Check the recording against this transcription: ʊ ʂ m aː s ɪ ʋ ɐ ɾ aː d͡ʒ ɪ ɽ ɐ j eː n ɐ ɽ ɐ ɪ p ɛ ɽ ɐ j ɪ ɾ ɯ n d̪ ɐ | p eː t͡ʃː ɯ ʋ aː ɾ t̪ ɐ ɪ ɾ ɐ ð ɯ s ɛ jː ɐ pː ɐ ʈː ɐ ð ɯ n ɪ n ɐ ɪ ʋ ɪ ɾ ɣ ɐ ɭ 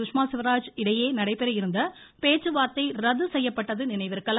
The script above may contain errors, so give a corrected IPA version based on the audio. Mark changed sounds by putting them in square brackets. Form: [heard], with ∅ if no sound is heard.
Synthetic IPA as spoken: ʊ ʂ m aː s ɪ ʋ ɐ ɾ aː d͡ʒ ɪ ɽ ɐ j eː n ɐ ɽ ɐ ɪ p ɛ [ɾ] ɐ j ɪ ɾ ɯ n d̪ ɐ | p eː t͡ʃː ɯ ʋ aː ɾ t̪ ɐ ɪ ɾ ɐ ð ɯ s ɛ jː ɐ pː ɐ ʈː ɐ ð ɯ n ɪ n ɐ ɪ ʋ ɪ ɾ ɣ ɐ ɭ